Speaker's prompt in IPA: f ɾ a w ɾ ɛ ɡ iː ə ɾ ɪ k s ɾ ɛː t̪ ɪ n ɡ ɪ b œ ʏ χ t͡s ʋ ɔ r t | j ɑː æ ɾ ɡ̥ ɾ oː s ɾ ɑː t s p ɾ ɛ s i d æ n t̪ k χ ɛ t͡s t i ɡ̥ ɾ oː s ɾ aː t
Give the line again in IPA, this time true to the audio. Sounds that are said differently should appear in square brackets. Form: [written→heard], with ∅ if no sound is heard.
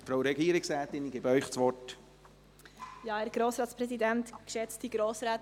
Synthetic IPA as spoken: f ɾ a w ɾ ɛ ɡ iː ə ɾ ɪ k s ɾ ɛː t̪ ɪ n ɡ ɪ b œ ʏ χ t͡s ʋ ɔ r t | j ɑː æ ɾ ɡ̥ ɾ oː s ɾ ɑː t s p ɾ ɛ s i d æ n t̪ k [χ→ʃ] ɛ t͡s t i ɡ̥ ɾ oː s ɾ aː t